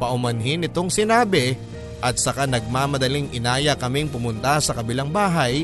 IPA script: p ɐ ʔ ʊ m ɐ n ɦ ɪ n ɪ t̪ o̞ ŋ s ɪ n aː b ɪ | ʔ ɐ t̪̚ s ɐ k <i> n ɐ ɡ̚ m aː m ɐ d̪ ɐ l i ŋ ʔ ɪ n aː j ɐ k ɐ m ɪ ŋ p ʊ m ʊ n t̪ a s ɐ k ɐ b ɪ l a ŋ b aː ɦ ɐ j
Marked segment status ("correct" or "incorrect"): incorrect